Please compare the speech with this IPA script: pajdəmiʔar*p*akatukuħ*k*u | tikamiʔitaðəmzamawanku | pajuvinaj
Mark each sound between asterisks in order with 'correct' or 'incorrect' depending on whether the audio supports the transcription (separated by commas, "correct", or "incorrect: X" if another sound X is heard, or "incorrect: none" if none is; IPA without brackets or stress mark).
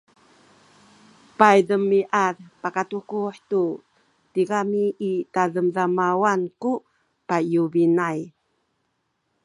correct, incorrect: t